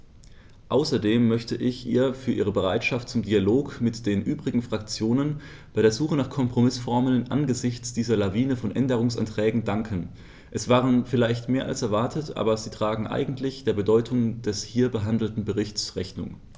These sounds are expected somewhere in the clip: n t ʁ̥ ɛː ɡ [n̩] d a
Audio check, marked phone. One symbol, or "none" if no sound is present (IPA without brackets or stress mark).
ŋ̩